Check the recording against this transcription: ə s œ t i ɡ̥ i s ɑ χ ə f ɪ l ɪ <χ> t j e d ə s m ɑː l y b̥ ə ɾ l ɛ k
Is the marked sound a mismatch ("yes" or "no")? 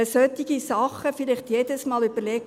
no